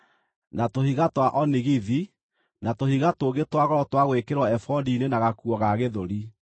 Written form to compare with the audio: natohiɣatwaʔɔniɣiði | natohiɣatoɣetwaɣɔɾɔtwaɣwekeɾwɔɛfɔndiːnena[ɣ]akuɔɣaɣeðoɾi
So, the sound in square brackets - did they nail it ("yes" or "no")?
yes